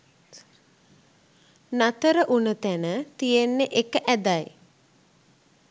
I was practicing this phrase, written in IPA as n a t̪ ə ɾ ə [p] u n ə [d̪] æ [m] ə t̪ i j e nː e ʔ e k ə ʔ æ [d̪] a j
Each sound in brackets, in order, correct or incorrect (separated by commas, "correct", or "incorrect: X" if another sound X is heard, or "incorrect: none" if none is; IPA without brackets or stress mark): incorrect: ʔ, incorrect: t̪, incorrect: n, correct